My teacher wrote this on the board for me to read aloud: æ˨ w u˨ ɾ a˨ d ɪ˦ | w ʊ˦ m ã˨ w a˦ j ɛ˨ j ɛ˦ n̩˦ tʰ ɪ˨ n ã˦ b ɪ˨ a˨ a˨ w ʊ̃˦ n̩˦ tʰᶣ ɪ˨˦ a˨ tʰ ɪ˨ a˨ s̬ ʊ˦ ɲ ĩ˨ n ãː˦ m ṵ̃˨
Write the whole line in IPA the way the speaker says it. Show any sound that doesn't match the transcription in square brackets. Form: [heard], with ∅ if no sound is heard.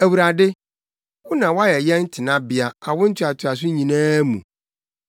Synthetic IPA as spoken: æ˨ w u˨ ɾ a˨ d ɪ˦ | w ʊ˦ [n] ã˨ w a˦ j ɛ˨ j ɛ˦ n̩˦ tʰ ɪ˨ n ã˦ b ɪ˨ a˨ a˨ w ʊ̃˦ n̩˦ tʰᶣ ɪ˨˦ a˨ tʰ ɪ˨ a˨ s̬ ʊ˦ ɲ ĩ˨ n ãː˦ m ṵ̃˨